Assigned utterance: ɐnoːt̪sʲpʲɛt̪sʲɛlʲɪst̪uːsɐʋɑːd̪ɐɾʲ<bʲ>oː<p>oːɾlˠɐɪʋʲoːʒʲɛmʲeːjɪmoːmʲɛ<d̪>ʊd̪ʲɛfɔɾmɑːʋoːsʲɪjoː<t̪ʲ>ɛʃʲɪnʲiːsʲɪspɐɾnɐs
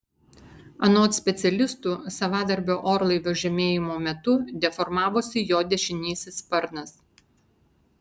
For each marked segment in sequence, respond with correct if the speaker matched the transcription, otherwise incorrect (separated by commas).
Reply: correct, incorrect, incorrect, incorrect